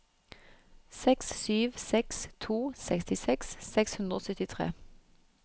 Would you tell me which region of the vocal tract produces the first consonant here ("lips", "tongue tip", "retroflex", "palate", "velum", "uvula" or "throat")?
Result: tongue tip